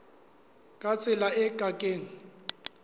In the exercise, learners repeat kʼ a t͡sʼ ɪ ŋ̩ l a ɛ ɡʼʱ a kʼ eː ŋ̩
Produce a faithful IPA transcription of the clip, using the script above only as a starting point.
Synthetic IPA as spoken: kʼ a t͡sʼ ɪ l a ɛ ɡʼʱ a kʼ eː ŋ̩